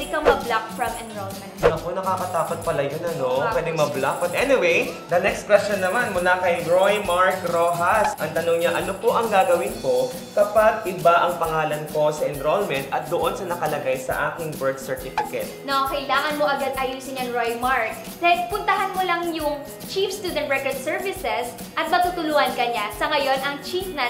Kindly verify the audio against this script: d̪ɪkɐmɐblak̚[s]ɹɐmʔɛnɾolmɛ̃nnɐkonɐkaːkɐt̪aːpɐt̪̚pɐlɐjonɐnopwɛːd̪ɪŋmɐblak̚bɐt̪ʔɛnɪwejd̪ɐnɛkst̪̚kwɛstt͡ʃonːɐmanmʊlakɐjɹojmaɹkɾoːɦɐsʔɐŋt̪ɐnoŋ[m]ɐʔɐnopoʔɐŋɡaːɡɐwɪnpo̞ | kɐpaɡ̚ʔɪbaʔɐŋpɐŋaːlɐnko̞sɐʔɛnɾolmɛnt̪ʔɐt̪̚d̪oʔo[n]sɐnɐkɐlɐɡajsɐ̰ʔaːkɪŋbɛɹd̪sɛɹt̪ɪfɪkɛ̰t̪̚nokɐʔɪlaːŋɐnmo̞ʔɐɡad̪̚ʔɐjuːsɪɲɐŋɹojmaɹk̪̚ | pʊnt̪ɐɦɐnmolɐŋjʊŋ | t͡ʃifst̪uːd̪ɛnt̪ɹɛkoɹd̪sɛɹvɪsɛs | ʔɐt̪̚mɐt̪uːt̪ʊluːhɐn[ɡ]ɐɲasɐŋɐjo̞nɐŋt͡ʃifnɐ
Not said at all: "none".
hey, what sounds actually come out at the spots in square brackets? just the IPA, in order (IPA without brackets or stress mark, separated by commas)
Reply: f, ɲ, n, k